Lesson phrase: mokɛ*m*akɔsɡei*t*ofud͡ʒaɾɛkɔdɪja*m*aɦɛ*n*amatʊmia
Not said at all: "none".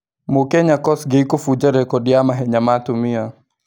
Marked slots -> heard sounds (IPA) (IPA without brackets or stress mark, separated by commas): ɲ, k, m, ɲ